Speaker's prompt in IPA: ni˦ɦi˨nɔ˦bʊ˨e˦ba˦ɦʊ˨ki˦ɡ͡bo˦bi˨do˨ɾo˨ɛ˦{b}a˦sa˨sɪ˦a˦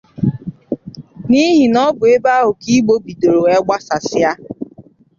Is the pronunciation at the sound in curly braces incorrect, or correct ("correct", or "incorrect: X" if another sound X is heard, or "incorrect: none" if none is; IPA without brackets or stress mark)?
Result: incorrect: ɡ͡b